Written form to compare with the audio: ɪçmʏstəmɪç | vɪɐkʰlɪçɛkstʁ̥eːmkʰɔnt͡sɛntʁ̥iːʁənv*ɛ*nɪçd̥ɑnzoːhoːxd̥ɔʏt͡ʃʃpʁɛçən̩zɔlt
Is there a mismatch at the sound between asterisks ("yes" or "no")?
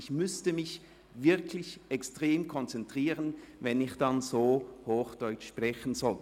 no